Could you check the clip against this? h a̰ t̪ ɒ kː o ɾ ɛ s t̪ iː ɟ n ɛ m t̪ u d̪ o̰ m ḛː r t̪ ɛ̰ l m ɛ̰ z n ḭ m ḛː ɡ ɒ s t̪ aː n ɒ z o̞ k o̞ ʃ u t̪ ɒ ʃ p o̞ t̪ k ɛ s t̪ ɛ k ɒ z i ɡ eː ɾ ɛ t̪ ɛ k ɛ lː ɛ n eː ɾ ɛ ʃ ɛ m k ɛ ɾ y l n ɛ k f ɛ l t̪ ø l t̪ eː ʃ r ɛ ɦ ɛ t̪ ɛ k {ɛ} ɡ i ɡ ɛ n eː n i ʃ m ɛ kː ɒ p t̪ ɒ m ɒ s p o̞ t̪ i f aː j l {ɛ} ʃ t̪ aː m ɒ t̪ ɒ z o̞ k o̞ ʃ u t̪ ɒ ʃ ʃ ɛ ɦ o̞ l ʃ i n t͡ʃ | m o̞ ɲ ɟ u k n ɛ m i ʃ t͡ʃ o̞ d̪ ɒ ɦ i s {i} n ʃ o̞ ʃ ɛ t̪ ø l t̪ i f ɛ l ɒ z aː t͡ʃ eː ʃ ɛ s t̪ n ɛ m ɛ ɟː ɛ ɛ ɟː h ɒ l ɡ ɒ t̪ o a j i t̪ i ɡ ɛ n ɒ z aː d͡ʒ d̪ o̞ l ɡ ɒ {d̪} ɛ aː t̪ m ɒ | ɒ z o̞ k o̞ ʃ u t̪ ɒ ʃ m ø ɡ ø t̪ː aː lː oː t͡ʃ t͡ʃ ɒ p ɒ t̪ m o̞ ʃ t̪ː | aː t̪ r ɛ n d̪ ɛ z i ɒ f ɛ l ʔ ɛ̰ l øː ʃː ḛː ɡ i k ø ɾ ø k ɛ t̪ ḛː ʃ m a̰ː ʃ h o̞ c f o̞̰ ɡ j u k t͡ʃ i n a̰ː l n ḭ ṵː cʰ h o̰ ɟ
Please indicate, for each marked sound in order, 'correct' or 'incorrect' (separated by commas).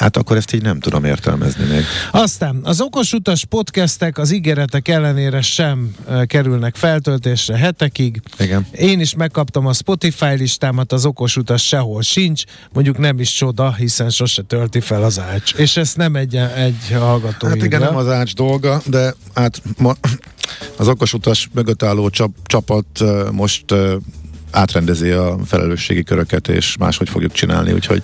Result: incorrect, incorrect, incorrect, correct